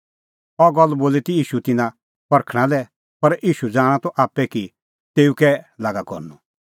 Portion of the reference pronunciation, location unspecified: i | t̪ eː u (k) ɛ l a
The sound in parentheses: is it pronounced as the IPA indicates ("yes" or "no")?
yes